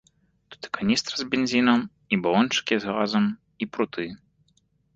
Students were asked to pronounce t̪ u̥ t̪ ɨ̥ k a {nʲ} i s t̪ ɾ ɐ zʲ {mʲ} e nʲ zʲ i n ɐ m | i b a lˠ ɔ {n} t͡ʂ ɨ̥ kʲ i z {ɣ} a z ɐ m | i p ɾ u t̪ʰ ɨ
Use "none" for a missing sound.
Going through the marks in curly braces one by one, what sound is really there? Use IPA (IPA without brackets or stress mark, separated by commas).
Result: nʲ, bʲ, n, ɣ